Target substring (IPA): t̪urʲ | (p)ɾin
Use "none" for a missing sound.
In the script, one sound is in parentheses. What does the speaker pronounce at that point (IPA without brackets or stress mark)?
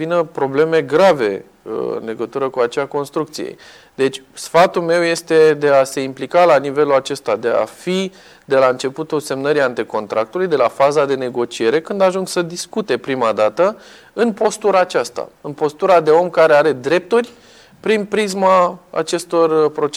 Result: p